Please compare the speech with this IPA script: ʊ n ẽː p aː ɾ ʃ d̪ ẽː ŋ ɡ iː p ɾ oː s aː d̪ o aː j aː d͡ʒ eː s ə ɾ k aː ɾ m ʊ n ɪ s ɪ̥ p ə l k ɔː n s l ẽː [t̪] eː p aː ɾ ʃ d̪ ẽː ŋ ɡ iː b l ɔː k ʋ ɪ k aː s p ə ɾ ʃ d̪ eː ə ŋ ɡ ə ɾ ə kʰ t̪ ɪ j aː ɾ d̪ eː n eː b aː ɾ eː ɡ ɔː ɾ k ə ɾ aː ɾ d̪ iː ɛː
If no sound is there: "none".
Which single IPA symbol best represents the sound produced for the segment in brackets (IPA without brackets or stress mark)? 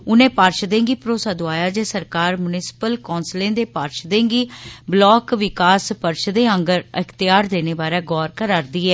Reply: d̪